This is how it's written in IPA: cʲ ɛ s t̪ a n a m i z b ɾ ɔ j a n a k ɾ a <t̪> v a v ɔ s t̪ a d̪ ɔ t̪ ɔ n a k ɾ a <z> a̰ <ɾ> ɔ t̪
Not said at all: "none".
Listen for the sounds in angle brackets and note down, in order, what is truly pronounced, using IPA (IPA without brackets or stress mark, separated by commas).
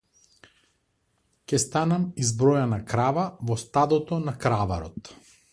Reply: none, v, ɾ